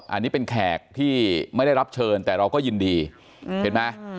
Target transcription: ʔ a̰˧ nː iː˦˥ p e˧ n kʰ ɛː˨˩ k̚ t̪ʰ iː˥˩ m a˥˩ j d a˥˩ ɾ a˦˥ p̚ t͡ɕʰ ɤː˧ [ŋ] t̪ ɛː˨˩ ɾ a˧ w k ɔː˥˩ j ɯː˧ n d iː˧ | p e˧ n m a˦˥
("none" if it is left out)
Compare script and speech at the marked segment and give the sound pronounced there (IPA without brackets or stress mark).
n